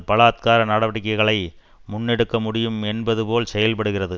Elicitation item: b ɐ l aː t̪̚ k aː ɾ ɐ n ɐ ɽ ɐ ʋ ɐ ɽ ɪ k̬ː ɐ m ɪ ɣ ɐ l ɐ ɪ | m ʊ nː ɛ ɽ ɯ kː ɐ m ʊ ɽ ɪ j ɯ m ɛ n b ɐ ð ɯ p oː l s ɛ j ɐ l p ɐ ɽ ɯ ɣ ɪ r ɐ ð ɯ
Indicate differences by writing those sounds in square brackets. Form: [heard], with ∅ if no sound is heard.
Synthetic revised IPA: [p] ɐ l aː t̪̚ k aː ɾ ɐ n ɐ ɽ ɐ ʋ ɐ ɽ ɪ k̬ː ɐ [∅] ɪ ɣ ɐ [ɭ] ɐ ɪ | m ʊ nː ɛ ɽ ɯ kː ɐ m ʊ ɽ ɪ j ɯ m ɛ n b ɐ ð ɯ p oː l s ɛ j ɐ l p ɐ ɽ ɯ ɣ ɪ r ɐ ð ɯ